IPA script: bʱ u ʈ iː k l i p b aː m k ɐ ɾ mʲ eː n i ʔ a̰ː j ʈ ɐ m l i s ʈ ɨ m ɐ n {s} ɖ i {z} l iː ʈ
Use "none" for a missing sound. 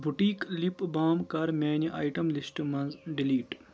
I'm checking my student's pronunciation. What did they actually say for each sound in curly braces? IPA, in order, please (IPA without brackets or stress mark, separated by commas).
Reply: z, none